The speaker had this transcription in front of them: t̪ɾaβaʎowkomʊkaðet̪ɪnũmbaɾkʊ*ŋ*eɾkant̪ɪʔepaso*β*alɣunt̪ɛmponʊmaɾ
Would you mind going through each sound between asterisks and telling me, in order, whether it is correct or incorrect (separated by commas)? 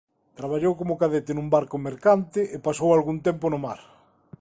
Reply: incorrect, incorrect